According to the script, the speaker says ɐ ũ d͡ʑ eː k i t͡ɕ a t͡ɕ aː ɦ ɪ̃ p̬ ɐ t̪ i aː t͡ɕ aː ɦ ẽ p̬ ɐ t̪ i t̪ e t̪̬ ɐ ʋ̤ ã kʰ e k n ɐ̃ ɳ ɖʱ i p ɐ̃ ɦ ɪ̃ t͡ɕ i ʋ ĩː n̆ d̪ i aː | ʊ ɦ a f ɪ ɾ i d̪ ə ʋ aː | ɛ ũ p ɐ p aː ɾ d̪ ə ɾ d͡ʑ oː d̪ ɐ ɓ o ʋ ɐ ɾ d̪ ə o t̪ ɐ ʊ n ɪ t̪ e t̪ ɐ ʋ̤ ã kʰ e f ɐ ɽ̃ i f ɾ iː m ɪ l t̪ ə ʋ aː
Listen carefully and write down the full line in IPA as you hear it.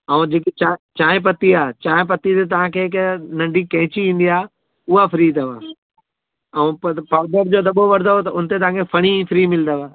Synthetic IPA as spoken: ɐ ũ d͡ʑ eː k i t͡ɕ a t͡ɕ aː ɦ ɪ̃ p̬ ɐ t̪ i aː t͡ɕ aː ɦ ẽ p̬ ɐ t̪ i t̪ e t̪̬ ɐ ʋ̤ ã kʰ e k n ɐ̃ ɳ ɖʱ i k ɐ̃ ɦ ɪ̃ t͡ɕ i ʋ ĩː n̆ d̪ i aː | ʊ ɦ a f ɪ ɾ i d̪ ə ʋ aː | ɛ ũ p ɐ p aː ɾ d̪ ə ɾ d͡ʑ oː d̪ ɐ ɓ o ʋ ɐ ɾ d̪ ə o t̪ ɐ ʊ n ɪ t̪ e t̪ ɐ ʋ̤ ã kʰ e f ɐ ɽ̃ i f ɾ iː m ɪ l d̪ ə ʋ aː